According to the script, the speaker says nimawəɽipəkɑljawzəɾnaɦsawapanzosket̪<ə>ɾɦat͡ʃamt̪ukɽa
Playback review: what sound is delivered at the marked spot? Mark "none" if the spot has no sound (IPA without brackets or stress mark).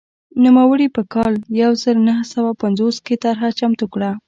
a